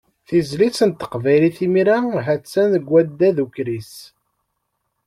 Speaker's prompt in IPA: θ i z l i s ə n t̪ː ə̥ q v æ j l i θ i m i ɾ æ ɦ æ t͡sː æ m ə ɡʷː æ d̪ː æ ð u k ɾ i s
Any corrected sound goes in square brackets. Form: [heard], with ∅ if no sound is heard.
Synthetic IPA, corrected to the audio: θ i z l i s ə n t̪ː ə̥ q v æ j l i θ i m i ɾ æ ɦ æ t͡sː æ [n] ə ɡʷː æ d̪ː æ ð u k ɾ i s